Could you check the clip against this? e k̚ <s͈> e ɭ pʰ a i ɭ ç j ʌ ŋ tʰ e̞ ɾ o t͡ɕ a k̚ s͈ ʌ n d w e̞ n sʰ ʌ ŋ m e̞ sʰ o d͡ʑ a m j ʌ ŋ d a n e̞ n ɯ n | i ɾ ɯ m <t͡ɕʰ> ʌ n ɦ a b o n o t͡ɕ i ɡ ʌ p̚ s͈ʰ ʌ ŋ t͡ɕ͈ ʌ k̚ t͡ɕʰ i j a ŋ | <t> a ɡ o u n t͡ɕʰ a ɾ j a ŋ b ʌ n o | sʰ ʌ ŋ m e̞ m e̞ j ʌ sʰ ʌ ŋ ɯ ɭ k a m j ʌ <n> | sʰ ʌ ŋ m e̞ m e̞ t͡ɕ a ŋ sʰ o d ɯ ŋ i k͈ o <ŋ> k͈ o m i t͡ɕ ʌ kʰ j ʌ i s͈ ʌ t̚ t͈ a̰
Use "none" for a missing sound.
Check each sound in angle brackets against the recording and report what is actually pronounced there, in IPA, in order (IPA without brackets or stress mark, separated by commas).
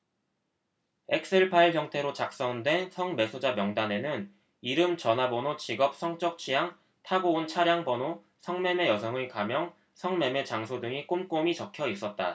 s͈, t͡ɕ, tʰ, ŋ, m